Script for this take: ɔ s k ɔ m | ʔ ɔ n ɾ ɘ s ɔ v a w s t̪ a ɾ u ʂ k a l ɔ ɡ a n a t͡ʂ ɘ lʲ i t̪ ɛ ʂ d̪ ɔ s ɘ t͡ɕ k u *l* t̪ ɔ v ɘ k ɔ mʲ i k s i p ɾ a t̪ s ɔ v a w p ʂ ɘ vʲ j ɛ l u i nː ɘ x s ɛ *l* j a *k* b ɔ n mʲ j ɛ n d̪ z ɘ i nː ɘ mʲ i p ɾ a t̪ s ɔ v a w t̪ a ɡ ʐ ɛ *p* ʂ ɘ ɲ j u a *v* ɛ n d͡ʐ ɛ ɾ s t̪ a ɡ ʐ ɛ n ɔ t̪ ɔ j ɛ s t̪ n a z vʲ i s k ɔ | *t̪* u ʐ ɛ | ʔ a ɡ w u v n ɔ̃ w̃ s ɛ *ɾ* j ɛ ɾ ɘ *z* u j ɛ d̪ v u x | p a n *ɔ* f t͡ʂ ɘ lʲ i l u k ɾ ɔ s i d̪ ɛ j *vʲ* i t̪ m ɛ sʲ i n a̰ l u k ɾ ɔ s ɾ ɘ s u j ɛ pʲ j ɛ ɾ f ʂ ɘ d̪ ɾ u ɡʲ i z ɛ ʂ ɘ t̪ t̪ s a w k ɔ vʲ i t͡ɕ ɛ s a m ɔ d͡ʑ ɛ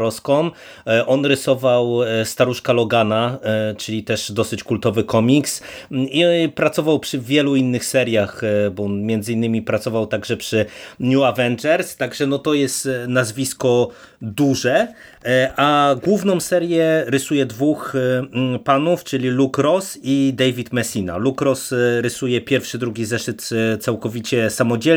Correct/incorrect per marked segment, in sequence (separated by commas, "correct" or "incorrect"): correct, incorrect, incorrect, correct, correct, incorrect, correct, incorrect, incorrect, correct